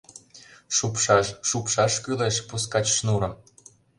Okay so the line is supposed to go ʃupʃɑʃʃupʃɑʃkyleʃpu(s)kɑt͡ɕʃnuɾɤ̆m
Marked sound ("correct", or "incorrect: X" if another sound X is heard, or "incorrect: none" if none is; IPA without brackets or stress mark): correct